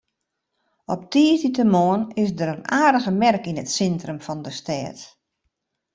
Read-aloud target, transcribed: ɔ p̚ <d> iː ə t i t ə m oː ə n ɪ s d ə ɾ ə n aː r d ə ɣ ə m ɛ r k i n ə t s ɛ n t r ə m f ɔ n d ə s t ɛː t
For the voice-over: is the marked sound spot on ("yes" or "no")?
no